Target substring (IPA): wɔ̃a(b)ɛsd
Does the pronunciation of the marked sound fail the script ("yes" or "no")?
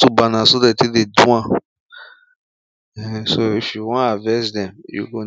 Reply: yes